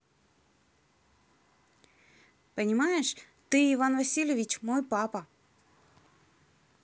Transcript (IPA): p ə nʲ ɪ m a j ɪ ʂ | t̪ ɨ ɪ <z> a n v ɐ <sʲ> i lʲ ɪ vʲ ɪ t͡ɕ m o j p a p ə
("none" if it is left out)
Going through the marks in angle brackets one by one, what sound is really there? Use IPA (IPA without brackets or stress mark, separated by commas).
v, sʲ